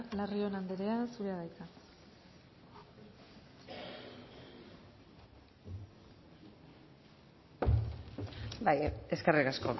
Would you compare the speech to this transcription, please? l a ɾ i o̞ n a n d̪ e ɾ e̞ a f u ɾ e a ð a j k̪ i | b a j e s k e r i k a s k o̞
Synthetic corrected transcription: l a r i o̞ n a n d̪ e ɾ e̞ a s u ɾ e a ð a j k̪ a | b a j e s k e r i k a s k o̞